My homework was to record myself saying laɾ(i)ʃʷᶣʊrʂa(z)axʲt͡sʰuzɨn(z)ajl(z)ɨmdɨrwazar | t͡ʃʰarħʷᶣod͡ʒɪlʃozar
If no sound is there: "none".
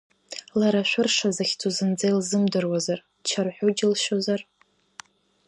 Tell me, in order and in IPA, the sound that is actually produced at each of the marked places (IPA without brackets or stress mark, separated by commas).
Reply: a, z, d͡z, z